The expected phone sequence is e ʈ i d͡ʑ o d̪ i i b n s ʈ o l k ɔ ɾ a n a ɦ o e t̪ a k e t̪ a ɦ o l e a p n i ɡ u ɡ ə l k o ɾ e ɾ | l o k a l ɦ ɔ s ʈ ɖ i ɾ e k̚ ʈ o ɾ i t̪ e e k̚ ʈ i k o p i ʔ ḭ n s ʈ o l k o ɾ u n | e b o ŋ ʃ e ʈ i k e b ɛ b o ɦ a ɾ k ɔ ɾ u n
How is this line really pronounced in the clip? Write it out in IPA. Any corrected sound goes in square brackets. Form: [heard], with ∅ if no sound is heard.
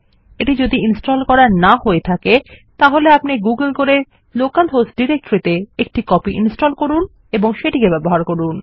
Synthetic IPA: e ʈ i d͡ʑ o d̪ i i [∅] n s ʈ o l k ɔ ɾ a n a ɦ o e [t̪ʰ] a k e t̪ a ɦ o l e a p n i ɡ u ɡ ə l k o ɾ e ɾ | l o k a l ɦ [o] s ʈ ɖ i ɾ e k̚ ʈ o ɾ i t̪ e e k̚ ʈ i k [ɔ] p i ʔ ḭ n s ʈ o l k o ɾ u n | e b o ŋ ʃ e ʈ i k e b ɛ b o ɦ a ɾ k [o] ɾ u n